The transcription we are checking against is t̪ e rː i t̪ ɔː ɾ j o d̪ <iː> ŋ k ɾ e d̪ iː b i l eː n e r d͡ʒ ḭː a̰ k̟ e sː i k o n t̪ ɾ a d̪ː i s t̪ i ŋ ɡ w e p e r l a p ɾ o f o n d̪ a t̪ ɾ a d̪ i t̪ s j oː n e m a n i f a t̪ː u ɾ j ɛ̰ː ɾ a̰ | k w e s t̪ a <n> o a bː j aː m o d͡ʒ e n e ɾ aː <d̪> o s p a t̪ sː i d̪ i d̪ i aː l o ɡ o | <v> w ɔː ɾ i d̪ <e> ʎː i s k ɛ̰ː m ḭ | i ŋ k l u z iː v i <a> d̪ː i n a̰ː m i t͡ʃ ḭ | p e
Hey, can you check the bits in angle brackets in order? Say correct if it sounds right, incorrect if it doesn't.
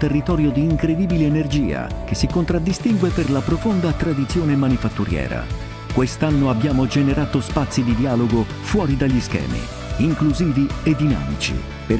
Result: correct, incorrect: nː, incorrect: t̪, incorrect: f, incorrect: a, incorrect: e

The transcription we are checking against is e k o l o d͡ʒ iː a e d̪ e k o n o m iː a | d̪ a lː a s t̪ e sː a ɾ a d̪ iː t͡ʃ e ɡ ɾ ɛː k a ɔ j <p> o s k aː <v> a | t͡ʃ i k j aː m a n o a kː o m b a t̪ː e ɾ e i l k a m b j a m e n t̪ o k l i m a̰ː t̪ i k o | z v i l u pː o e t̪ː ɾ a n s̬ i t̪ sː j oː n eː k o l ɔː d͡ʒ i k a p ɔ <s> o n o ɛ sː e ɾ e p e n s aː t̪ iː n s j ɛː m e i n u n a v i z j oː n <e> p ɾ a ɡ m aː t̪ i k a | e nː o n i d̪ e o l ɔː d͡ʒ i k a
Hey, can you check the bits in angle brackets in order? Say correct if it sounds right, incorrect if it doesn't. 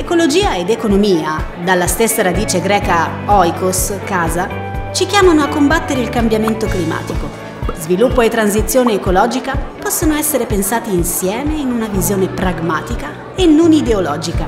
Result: incorrect: k, incorrect: z, incorrect: sː, correct

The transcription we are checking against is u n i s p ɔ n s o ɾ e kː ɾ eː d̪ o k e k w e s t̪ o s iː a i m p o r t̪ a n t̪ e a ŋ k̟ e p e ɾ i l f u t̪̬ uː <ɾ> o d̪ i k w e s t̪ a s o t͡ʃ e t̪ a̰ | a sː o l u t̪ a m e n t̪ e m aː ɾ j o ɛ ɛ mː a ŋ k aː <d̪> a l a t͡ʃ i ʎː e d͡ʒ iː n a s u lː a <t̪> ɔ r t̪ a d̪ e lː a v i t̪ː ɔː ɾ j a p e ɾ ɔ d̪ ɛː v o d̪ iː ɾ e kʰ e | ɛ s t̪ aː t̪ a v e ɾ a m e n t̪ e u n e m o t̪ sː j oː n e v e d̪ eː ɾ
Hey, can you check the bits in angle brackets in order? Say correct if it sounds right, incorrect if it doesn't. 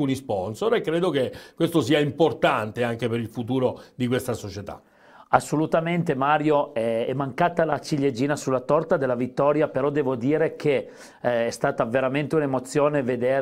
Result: correct, incorrect: t̪, correct

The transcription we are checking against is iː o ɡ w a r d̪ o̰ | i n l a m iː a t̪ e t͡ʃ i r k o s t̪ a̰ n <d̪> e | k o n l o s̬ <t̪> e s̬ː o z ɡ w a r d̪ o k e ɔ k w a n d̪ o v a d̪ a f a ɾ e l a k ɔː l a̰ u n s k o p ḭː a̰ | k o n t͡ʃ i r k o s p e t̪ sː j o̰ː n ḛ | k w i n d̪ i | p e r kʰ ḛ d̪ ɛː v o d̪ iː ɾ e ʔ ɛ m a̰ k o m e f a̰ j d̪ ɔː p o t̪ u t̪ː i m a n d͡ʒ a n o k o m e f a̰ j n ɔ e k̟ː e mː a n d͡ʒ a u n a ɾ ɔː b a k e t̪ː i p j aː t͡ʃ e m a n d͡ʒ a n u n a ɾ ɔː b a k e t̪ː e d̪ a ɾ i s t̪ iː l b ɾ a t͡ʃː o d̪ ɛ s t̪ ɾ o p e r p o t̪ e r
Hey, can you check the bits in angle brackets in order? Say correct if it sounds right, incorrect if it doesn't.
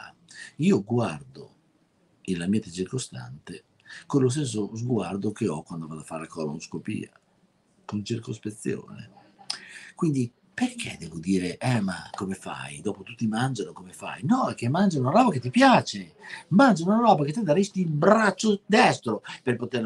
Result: incorrect: t̪, correct

